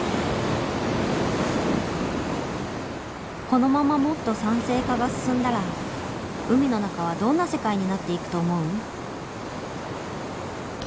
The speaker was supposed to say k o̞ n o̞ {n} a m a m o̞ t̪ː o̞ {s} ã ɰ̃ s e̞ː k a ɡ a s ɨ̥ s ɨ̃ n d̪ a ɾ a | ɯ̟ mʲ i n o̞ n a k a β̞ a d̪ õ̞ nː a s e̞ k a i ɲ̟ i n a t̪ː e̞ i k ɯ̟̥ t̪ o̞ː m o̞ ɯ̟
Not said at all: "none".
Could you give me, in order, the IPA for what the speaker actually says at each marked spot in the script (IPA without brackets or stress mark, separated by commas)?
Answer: m, s